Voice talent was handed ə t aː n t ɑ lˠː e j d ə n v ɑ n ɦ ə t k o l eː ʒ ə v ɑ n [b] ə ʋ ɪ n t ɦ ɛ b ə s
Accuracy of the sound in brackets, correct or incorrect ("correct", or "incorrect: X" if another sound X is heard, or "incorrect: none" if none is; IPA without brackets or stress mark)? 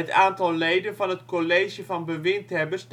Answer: correct